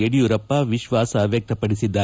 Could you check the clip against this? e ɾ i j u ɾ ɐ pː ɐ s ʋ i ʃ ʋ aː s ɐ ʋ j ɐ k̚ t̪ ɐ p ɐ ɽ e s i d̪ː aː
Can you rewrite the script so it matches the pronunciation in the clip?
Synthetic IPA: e ɽ i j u ɾ ɐ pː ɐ ʋ i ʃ ʋ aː s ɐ ʋ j ɐ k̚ t̪ ɐ p ɐ ɽ i s i d̪ː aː

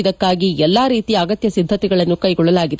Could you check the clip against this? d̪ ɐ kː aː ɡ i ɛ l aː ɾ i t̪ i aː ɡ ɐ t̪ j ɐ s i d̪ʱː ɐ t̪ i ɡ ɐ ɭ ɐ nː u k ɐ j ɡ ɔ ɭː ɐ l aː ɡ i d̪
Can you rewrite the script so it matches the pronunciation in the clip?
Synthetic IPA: d̪ ɐ kː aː ɡ i ɛ lː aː ɾ iː t̪ i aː ɡ ɐ t̪ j ɐ s i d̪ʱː ɐ t̪ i ɡ ɐ ɭ ɐ nː u k ɐ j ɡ ɔ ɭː ɐ l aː ɡ i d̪

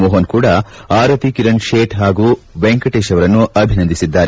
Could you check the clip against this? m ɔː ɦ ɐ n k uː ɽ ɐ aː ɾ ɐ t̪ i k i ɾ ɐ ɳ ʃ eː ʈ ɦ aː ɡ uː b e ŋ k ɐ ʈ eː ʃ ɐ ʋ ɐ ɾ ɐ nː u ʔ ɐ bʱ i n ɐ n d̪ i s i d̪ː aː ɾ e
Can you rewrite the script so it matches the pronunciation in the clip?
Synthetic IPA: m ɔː ɦ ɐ n k uː ɽ ɐ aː ɾ ɐ t̪ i k i ɾ ɐ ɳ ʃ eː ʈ ɦ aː ɡ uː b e ŋ k ɐ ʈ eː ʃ ɐ ʋ ɐ ɾ ɐ nː u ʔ ɐ bʱ i n ɐ n d̪ i s i d̪ː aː ɾ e

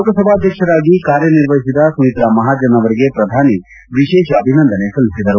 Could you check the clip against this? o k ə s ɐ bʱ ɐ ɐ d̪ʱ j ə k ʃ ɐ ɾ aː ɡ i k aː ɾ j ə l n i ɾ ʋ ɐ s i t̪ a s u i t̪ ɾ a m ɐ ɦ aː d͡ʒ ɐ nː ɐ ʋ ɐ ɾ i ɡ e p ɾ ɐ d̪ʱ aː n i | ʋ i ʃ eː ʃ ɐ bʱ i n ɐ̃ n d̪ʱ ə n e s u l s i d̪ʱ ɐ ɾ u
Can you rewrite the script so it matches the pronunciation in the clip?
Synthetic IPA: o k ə s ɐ bʱ a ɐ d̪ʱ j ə k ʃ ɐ ɾ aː ɡ i k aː ɾ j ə n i ɾ ʋ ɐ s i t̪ a s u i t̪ ɾ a m ɐ ɦ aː d͡ʒ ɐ n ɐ ʋ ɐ ɾ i ɡ e p ɾ ɐ d̪ʱ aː n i | ʋ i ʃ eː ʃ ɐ bʱ i n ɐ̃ n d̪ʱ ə n e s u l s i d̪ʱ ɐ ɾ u

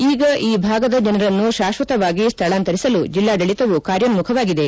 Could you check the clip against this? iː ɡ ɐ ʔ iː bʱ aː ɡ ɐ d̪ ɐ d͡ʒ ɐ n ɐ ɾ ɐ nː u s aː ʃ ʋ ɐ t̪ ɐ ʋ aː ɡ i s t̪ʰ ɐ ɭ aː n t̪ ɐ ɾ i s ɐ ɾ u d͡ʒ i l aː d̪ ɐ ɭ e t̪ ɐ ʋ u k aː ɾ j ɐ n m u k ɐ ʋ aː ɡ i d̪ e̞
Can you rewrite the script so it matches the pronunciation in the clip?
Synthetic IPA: iː ɡ ɐ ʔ iː bʱ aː ɡ ɐ d̪ ɐ d͡ʒ ɐ n ɐ ɾ ɐ nː u ʃ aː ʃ ʋ ɐ t̪ ɐ ʋ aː ɡ i s t̪ʰ ɐ ɭ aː n t̪ ɐ ɾ i s ɐ l u d͡ʒ i lː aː d̪ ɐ ɭ i t̪ ɐ ʋ u k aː ɾ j ɐ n m u kʰ ɐ ʋ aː ɡ i d̪ e̞

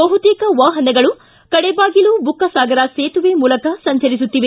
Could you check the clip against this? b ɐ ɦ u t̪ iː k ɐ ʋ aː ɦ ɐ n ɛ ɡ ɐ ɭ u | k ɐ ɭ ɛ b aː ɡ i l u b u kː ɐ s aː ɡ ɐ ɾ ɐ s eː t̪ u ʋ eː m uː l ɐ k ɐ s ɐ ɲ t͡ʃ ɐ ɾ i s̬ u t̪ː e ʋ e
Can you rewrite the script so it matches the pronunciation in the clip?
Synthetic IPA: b ɐ ɦ u t̪ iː k ɐ ʋ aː ɦ ɐ n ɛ ɡ ɐ ɭ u | k ɐ ɽ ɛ b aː ɡ i l u b u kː ɐ s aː ɡ ɐ ɾ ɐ s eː t̪ u ʋ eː m uː l ɐ k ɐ s ɐ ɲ t͡ʃ ɐ ɾ i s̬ u t̪ː i ʋ e

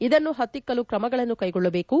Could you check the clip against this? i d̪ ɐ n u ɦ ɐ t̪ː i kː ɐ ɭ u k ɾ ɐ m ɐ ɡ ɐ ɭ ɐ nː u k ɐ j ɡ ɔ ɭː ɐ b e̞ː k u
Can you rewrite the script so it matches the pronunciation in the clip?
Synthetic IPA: i d̪ ɐ nː u ɦ ɐ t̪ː i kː ɐ l u k ɾ ɐ m ɐ ɡ ɐ ɭ ɐ nː u k ɐ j ɡ ɔ ɭː ɐ b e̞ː k u

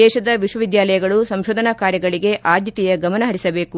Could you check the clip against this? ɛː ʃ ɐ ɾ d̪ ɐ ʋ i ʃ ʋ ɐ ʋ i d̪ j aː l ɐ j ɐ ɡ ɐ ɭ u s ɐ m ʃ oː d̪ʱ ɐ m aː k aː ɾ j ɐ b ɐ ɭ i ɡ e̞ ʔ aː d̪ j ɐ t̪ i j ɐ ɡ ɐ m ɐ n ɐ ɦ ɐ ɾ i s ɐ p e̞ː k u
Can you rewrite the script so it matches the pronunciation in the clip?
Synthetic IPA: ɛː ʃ ɐ d̪ ɐ ʋ i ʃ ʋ ɐ ʋ i d̪ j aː l ɐ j ɐ ɡ ɐ ɭ u s ɐ m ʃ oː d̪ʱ ɐ n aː k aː ɾ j ɐ ɡ ɐ ɭ i ɡ e̞ ʔ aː d̪ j ɐ t̪ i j ɐ ɡ ɐ m ɐ n ɐ ɦ ɐ ɾ i s ɐ b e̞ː k u

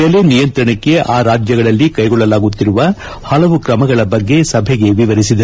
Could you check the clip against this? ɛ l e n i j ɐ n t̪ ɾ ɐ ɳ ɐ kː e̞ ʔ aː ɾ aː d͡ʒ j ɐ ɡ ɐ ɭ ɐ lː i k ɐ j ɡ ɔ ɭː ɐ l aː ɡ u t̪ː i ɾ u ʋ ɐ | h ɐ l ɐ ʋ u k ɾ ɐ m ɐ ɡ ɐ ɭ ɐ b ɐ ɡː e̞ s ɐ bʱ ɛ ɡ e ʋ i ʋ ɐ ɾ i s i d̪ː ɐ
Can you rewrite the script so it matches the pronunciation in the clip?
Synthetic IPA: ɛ l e n i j ɐ n t̪ ɾ ɐ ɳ ɐ kː e̞ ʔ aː ɾ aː d͡ʒ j ɐ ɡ ɐ ɭ ɐ lː i k ɐ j ɡ ɔ ɭː ɐ l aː ɡ u t̪ː i ɾ u ʋ ɐ | h ɐ l ɐ ʋ u k ɾ ɐ m ɐ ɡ ɐ ɭ ɐ b ɐ ɡː e̞ s ɐ bʱ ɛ ɡ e ʋ i ʋ ɐ ɾ i s i d̪ ɐ

